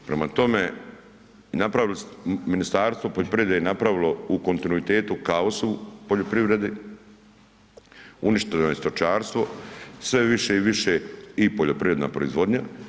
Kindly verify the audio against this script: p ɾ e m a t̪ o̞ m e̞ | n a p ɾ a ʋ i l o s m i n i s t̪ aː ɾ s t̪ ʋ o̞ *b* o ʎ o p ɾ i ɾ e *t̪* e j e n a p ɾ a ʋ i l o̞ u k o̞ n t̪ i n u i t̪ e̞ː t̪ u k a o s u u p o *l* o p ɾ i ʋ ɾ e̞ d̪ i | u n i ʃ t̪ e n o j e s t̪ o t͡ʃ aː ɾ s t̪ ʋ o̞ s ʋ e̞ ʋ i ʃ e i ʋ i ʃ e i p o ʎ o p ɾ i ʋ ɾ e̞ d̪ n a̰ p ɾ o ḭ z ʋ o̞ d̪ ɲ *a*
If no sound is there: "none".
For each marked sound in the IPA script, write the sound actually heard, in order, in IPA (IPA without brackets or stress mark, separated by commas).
p, d̪, ʎ, a